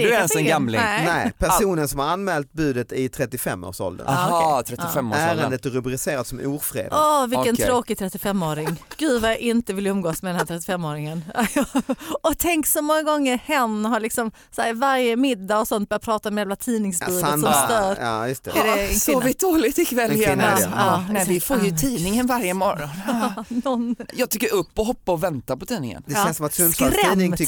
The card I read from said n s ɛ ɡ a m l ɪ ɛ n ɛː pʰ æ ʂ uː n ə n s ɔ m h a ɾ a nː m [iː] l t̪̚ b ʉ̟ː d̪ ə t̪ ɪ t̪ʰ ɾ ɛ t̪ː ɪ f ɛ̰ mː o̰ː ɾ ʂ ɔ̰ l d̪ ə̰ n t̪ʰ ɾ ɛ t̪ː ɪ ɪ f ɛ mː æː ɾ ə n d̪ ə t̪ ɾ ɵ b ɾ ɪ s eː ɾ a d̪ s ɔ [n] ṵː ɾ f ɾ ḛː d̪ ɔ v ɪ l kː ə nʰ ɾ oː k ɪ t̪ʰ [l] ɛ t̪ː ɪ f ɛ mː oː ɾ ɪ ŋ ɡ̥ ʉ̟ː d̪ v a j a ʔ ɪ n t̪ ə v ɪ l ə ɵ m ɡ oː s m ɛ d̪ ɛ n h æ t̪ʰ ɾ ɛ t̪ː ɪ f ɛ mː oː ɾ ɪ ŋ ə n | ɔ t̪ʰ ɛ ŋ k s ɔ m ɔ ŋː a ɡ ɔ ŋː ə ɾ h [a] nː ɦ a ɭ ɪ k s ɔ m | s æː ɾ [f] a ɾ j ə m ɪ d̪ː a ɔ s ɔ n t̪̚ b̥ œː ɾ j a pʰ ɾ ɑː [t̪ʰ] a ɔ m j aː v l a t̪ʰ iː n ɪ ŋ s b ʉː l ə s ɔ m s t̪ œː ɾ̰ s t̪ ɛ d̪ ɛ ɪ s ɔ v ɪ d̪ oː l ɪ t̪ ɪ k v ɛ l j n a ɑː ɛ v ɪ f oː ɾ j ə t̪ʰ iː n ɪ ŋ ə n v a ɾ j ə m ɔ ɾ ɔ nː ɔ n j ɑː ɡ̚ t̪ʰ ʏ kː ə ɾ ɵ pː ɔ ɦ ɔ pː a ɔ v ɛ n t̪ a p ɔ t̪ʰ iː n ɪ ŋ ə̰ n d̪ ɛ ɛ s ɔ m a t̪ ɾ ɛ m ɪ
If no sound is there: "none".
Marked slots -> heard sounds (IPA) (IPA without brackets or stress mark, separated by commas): ɛː, m, ɾ, ɛ, v, t̪